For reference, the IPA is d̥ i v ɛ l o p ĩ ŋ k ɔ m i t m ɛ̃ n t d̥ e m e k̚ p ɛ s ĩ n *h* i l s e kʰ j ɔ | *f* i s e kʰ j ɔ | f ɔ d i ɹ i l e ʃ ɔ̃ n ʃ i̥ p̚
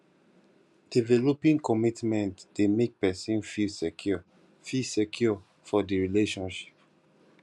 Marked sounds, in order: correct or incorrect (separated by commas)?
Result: incorrect, correct